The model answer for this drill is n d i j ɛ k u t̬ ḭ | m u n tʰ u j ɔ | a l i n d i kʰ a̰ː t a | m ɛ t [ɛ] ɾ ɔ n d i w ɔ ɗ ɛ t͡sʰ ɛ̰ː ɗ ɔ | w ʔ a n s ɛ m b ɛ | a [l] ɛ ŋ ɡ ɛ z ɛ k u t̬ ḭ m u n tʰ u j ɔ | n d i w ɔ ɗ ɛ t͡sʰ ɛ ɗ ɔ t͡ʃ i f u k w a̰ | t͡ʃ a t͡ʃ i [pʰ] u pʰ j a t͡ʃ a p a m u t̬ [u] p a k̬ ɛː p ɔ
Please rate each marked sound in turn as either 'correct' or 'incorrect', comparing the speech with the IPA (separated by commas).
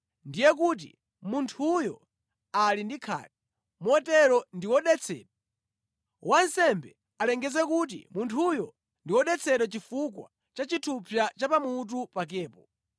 correct, correct, incorrect, correct